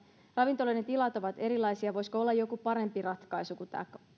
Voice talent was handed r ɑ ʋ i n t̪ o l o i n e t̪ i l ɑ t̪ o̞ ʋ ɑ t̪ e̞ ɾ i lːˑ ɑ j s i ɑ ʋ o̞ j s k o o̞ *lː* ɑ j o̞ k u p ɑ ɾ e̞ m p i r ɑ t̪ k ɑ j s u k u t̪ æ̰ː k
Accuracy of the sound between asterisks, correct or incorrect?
correct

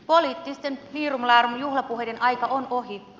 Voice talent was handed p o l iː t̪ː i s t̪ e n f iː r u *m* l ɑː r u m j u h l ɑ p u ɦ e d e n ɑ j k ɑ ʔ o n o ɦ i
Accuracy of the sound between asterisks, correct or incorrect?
correct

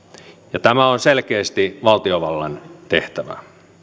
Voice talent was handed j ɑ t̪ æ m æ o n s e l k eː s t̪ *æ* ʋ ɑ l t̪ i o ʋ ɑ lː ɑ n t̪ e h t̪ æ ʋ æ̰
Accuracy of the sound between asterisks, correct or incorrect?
incorrect: i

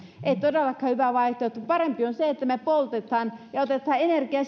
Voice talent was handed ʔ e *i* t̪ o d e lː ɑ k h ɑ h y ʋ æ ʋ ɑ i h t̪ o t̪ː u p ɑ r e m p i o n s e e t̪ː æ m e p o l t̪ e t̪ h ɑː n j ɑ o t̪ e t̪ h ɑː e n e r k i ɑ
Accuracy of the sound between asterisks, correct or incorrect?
correct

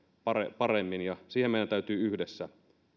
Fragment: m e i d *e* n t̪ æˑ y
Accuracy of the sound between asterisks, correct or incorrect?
incorrect: æ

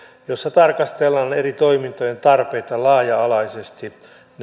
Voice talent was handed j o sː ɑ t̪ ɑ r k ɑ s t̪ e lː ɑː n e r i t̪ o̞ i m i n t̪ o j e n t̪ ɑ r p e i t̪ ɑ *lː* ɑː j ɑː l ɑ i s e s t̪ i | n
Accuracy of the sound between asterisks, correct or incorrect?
incorrect: l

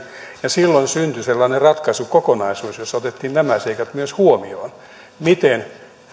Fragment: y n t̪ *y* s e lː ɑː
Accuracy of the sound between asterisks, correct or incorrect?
correct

